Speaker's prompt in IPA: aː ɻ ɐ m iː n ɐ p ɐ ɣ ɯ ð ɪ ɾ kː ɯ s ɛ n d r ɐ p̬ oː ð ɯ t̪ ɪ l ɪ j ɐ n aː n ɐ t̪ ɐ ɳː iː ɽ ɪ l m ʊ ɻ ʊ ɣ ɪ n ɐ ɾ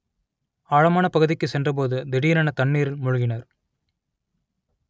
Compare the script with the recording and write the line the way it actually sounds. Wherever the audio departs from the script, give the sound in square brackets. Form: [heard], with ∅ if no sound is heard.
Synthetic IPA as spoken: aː ɻ ɐ m [aː] n ɐ p ɐ ɣ ɯ ð ɪ [∅] kː ɯ s ɛ n d r ɐ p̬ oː ð ɯ [d̪] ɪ [ɽ] ɪ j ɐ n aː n ɐ t̪ ɐ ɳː iː [ɾ] ɪ l m ʊ ɻ ʊ ɣ ɪ n ɐ ɾ